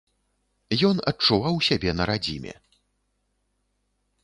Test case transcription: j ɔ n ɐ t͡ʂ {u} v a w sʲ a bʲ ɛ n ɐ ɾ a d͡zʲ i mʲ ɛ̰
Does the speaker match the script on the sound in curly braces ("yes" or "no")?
yes